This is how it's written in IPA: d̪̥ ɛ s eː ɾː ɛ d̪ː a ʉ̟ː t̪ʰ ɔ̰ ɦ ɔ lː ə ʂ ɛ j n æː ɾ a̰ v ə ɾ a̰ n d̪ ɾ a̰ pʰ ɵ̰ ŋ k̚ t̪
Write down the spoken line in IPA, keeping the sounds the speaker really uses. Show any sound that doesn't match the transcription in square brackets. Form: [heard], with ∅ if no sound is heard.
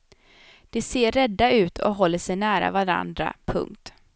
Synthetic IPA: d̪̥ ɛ s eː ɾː ɛ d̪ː a ʉ̟ː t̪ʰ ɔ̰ ɦ ɔ lː ə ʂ ɛ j n æː ɾ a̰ v [a] ɾ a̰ n d̪ ɾ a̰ pʰ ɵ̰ ŋ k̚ t̪